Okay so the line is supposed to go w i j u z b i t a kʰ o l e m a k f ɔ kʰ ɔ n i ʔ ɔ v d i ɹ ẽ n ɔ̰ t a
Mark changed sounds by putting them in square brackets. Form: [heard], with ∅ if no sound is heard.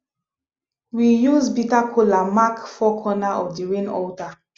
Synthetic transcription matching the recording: w i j u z b i t a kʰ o l [a] m a k f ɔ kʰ ɔ n [a] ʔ ɔ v d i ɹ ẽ n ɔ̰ t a